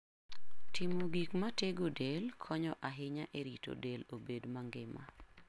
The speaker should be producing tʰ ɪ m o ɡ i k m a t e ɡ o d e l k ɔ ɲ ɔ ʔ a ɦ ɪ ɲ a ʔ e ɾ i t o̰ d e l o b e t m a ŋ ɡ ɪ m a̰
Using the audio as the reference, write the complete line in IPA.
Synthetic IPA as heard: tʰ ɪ m o ɡ i k m a t e ɡ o d e l kʰ ɔ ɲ ɔ ʔ a ɦ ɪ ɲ a ʔ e ɾ i t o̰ d e l o b e d m a ŋ ɡ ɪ m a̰